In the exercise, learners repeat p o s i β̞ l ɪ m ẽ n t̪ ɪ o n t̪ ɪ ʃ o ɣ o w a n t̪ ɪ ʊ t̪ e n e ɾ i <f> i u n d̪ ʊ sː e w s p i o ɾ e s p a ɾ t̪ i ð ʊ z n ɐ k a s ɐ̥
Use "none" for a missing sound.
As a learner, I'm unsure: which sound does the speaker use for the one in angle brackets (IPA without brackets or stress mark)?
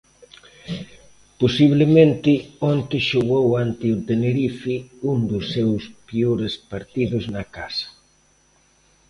f